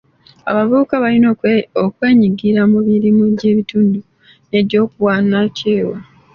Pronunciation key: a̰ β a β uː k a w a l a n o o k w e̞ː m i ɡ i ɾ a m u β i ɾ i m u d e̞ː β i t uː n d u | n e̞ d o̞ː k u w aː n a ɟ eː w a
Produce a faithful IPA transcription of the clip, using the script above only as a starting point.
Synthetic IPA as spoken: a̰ β a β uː k a β a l i n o o k w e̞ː ɲ i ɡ i ɾ a m u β i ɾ i m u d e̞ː β i t uː n d u | n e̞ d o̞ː k u w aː n a c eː w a